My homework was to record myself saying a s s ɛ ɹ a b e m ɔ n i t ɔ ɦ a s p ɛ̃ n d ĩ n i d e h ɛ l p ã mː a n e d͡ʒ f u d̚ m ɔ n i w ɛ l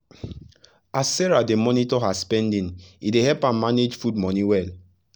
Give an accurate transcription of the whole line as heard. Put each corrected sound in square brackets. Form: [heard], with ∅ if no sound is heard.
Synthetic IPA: a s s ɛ ɹ a [d] e m ɔ n i t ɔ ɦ a s p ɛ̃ n d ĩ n i d e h ɛ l p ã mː a n e d͡ʒ f u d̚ m ɔ n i w ɛ l